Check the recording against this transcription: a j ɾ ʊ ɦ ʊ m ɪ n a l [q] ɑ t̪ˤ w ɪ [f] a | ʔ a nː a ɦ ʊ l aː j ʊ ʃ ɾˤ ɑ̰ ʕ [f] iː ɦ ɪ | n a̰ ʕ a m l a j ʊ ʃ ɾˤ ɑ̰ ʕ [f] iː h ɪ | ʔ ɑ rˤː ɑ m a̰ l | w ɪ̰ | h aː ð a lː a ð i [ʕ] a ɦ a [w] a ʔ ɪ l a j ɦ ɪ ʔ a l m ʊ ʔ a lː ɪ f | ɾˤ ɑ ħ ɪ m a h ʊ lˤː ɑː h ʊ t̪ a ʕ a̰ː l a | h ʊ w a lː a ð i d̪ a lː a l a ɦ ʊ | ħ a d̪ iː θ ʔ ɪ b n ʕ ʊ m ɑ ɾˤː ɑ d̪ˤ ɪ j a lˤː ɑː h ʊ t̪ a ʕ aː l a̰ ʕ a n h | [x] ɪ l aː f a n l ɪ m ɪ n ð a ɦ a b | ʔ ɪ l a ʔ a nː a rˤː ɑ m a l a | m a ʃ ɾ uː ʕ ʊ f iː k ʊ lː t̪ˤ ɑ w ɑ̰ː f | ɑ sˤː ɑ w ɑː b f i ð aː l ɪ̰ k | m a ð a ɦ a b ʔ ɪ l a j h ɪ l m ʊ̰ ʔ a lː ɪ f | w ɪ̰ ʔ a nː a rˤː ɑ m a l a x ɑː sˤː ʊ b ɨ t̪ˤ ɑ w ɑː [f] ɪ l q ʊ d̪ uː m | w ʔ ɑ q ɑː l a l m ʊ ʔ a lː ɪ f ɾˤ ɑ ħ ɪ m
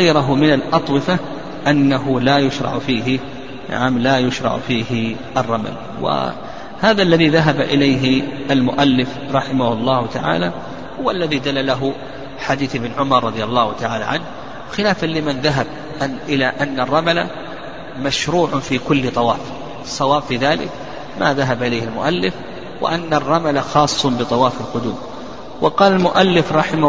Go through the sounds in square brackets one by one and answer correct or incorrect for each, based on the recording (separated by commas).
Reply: incorrect, correct, correct, correct, incorrect, incorrect, correct, correct